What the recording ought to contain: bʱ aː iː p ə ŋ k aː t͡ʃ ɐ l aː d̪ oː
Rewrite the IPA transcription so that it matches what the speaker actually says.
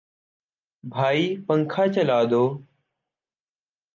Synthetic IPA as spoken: bʱ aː iː p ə ŋ kʰ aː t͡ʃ ə l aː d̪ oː